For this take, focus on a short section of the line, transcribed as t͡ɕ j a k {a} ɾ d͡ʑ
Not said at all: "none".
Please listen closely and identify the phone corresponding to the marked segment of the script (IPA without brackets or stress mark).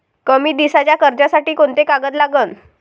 ə